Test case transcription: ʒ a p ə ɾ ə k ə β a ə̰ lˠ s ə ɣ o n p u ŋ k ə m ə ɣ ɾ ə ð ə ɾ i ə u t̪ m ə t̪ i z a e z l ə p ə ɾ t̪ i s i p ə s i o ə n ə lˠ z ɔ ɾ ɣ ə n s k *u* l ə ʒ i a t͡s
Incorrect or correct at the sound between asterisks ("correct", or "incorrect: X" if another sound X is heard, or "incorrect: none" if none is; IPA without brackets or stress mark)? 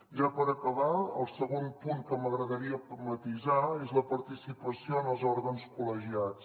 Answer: correct